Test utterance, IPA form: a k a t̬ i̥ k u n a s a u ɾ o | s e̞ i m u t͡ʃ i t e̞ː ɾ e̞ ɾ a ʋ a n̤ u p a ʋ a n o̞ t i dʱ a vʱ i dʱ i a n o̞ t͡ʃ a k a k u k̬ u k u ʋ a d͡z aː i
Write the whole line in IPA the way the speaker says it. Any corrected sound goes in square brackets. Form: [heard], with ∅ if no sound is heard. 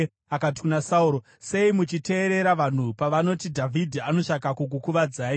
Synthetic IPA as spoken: a k a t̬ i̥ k u n a s a u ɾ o | s e̞ i m u t͡ʃ i t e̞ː ɾ e̞ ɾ a ʋ a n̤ u p a ʋ a n o̞ t i dʱ a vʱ i dʱ i a n o̞ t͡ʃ a k a k u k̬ u k u ʋ a d͡z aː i